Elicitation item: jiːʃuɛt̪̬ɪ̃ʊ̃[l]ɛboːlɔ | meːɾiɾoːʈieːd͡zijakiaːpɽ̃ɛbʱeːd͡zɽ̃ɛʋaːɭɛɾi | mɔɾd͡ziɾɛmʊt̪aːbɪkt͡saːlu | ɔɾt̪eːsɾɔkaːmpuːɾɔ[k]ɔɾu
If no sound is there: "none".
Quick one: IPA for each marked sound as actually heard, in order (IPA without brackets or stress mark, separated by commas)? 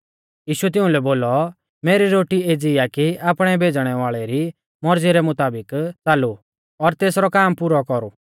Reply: l, k